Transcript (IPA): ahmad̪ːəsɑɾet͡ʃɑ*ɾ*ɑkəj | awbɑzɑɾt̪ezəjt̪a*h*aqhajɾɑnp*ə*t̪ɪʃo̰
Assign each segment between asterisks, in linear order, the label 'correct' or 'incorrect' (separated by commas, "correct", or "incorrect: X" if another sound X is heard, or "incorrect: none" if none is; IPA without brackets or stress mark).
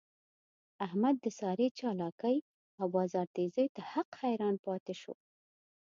incorrect: l, correct, incorrect: ɑ